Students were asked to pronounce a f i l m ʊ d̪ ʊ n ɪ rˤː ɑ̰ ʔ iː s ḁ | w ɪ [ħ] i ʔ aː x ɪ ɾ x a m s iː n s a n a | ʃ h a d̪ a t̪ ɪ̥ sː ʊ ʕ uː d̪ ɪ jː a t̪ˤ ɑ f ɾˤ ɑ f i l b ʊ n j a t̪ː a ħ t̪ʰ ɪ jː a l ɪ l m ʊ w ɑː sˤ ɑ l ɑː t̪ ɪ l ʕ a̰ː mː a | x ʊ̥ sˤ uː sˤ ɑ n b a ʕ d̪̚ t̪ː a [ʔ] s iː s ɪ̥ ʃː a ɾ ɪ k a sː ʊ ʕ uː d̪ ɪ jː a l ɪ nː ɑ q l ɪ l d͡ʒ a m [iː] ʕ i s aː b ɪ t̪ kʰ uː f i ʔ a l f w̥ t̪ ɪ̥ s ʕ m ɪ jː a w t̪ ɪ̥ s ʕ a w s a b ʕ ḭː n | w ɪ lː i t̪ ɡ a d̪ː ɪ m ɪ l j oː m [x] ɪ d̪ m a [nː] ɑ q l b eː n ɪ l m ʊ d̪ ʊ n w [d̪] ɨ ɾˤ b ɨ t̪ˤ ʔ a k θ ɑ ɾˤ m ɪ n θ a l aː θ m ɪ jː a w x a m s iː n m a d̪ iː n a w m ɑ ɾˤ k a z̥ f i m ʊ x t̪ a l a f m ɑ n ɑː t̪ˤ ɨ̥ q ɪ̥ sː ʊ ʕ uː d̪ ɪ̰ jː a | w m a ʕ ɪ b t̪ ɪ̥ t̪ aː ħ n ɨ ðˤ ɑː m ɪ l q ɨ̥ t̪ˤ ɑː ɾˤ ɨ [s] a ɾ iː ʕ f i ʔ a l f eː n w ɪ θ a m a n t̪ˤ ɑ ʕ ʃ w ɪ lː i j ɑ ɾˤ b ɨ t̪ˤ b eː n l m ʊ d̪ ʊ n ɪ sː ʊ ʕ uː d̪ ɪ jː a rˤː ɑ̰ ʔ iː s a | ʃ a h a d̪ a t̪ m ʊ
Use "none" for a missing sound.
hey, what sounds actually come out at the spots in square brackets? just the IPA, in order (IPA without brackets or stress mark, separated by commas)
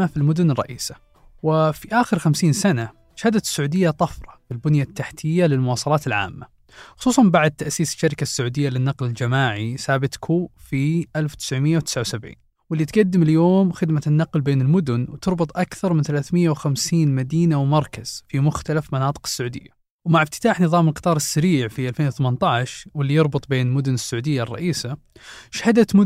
f, ʔ, aː, x, nː, t̪, sː